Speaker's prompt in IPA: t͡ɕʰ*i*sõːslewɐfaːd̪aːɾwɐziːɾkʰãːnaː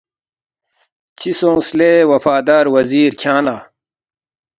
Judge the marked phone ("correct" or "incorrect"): correct